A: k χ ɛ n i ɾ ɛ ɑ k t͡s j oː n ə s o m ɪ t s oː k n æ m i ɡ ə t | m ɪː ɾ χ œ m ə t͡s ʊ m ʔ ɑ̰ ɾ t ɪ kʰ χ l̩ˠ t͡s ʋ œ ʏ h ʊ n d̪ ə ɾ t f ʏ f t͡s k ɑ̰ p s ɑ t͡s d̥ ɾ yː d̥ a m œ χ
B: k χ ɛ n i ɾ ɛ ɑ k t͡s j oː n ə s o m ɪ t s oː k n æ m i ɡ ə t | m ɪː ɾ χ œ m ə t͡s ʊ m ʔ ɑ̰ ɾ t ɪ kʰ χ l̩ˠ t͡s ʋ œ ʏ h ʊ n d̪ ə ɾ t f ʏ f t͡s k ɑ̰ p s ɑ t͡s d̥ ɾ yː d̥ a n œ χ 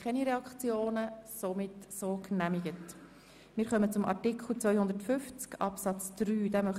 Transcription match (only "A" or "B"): A